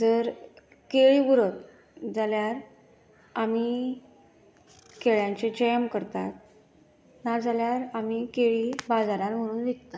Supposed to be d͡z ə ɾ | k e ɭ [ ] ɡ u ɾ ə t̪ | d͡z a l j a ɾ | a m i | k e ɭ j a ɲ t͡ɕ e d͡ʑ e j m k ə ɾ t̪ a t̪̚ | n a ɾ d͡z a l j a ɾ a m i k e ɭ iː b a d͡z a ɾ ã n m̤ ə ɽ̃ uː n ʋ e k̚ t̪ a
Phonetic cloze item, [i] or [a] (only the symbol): i